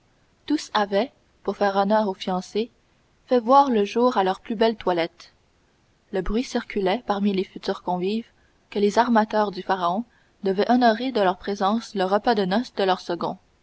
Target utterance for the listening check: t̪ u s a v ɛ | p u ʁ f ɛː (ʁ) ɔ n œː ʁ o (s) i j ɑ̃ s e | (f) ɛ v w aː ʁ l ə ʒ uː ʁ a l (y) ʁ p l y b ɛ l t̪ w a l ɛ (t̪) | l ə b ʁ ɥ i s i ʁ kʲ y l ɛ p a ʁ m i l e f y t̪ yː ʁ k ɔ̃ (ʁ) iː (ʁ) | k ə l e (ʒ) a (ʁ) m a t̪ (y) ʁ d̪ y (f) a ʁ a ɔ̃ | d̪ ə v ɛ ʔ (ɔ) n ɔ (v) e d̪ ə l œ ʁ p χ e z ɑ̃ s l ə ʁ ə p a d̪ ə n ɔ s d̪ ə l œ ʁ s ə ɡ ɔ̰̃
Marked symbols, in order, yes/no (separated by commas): yes, no, yes, no, yes, no, no, no, yes, no, yes, yes, no